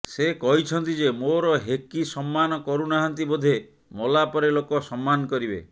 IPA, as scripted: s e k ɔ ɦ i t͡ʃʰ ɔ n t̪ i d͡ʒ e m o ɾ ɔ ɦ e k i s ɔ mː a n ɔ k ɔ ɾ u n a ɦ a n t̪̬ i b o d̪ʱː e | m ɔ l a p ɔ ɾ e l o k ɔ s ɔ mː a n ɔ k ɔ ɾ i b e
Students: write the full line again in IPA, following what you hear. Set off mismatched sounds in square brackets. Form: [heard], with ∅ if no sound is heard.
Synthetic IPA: s e k ɔ ɦ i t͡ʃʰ ɔ n t̪ i d͡ʒ e m o ɾ ɔ ɦ e k i s ɔ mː a n ɔ k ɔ ɾ u n a ɦ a n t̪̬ i b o [d̪ʱ] e | m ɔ l a p ɔ ɾ e l o k ɔ s ɔ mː a n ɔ k ɔ ɾ i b e